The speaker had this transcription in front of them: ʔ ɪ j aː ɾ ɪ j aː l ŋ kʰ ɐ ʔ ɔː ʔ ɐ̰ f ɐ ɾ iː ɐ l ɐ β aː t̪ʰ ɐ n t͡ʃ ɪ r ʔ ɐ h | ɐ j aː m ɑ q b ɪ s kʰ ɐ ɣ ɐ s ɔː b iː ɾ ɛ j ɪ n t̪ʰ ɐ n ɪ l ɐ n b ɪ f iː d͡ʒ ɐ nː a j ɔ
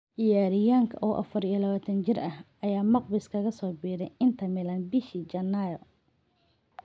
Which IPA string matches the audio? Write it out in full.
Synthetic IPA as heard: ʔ ɪ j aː ɾ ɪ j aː ŋ kʰ ɐ ʔ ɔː ʔ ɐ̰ f ɐ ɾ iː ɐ l ɐ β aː t̪ʰ ɐ n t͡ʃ ɪ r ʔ ɐ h | ɐ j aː m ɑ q b ɪ s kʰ ɐ ɣ ɐ s ɔː b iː ɾ ɛ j ɪ n t̪ʰ ɐ m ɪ l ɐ n b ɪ ʃ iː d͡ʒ ɐ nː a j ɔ

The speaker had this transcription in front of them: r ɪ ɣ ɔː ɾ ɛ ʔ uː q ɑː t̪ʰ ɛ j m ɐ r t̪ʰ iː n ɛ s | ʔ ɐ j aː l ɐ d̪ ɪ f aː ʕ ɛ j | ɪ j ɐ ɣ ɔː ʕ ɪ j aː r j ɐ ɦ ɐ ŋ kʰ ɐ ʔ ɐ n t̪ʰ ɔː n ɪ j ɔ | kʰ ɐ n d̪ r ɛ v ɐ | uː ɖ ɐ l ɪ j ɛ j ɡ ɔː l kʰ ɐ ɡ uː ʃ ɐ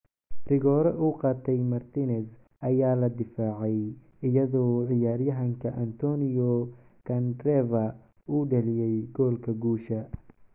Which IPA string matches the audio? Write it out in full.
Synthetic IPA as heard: r ɪ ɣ ɔː ɾ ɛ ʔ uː q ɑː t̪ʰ ɛ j m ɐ r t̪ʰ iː n ɛ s | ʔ ɐ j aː l ɐ d̪ ɪ f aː ʕ ɛ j | ɪ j ɐ ð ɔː ʕ ɪ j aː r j ɐ ɦ ɐ ŋ kʰ ɐ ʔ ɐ n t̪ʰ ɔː n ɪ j ɔ | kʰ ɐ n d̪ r ɛ v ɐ | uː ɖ ɐ l ɪ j ɛ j ɡ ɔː l kʰ ɐ ɡ uː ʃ ɐ

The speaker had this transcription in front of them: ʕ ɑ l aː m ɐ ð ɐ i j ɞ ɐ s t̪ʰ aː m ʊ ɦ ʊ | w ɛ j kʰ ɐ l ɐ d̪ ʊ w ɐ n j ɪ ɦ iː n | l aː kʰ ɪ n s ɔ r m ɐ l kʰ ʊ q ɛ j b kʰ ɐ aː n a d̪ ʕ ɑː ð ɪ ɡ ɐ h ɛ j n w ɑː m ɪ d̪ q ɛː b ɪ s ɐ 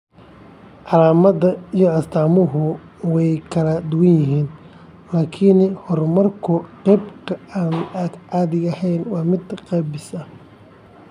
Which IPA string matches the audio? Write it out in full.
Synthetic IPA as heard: ʕ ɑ l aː m ɐ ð ɐ i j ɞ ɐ s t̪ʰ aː m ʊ ɦ ʊ | w ɛ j kʰ ɐ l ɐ d̪ ʊ w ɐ n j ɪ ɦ iː n | l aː kʰ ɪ n h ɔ r m ɐ r kʰ ʊ q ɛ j b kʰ ɐ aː n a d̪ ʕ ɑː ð ɪ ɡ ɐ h ɛ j n w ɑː m ɪ d̪ q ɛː b ɪ s ɐ

